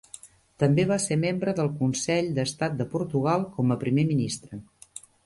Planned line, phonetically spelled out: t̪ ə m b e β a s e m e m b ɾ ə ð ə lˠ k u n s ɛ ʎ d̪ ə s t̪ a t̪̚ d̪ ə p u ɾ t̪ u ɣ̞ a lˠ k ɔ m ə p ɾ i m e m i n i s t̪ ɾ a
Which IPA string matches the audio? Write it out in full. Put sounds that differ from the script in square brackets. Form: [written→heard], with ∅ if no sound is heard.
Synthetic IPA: t̪ ə m b e β a s e m e m b ɾ ə ð ə lˠ k u n s ɛ ʎ d̪ ə s t̪ a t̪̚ d̪ ə p u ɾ t̪ u ɣ̞ a lˠ k ɔ m ə p ɾ i m e m i n i s t̪ ɾ [a→ə]